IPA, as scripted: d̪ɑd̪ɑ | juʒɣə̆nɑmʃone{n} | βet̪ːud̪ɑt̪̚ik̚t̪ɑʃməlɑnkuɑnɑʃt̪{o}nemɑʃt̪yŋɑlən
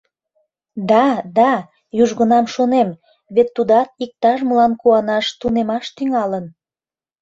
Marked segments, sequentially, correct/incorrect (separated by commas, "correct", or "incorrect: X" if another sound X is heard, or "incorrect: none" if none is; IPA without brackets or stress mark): incorrect: m, incorrect: u